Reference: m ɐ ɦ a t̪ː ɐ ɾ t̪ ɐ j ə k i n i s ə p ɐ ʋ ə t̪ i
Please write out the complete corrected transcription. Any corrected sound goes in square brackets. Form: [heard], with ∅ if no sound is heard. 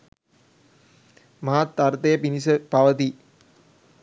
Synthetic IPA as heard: m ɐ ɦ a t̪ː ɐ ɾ t̪ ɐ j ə [p] i n i s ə p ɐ ʋ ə t̪ i

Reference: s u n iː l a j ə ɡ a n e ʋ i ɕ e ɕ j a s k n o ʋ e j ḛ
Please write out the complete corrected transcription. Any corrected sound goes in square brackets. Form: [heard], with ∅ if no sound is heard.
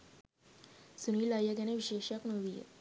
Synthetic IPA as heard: s u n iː l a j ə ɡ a n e ʋ i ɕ e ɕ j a [∅] k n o ʋ [i] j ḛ

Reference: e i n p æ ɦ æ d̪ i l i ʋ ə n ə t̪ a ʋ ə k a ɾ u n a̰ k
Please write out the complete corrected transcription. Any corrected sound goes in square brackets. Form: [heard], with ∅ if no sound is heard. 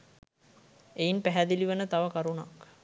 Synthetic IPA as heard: e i n p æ ɦ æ d̪ i l i ʋ ə n ə t̪ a ʋ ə k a ɾ u n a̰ k

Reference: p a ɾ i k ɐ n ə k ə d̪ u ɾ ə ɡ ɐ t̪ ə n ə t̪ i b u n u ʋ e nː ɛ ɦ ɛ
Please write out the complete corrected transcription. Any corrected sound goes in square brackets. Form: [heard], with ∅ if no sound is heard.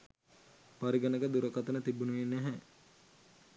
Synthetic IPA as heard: p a ɾ i [ɡ] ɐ n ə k ə d̪ u ɾ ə [k] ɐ t̪ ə n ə t̪ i b u n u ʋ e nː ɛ ɦ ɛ

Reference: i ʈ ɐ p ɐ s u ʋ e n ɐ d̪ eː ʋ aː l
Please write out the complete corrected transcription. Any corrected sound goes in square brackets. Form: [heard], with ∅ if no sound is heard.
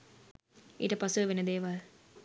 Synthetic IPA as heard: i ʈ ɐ p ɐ s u ʋ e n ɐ d̪ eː ʋ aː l

